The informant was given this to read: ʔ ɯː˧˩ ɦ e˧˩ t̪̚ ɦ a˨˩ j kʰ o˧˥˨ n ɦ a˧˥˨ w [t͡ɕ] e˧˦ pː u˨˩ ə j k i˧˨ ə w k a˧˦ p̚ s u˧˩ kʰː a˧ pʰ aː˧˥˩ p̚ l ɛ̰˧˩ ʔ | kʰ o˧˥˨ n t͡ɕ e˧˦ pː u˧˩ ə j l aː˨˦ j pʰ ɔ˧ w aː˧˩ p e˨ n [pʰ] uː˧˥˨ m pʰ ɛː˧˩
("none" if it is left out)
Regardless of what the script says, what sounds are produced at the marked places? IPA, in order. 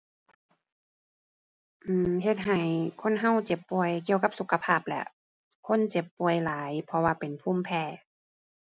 t͡ɕ, pʰ

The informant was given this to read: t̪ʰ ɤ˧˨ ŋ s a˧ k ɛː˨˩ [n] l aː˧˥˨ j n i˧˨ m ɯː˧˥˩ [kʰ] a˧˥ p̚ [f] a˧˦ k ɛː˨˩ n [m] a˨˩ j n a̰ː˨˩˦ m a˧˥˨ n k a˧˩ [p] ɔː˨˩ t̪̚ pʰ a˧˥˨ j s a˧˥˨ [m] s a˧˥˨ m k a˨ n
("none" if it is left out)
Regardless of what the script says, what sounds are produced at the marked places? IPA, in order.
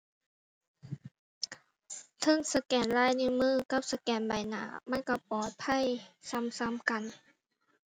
n, k, s, b, p, m

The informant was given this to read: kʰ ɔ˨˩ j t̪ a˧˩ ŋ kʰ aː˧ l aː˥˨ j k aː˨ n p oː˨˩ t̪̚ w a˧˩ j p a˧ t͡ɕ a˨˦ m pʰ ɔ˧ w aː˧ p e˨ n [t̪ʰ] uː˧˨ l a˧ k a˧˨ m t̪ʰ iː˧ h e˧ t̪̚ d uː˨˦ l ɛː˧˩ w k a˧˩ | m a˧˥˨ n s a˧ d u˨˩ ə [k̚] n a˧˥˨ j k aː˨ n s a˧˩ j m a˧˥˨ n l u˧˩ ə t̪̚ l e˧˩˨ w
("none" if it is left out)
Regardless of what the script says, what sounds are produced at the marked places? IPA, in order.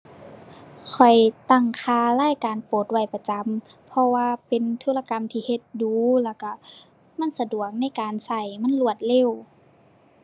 t̪ʰ, k̚

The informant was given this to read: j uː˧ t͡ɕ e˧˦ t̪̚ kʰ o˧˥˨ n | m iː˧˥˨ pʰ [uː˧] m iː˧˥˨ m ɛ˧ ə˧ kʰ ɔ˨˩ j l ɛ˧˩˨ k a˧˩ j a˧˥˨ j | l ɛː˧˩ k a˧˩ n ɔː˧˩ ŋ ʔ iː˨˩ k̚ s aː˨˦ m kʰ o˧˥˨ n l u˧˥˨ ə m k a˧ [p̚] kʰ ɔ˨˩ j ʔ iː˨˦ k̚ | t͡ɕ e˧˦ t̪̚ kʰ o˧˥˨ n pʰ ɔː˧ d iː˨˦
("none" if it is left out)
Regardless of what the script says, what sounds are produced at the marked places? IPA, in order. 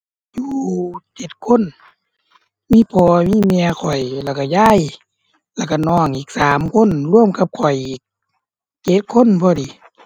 ɔː˧, p̚

